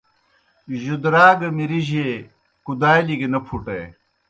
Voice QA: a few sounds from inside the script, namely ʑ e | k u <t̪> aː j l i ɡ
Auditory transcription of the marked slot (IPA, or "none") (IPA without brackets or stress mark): d̪